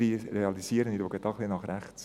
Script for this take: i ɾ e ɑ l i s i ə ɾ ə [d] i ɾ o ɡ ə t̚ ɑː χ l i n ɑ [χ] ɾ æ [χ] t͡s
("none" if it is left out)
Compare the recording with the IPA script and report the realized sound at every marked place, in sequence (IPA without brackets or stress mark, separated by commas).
n, χ, χ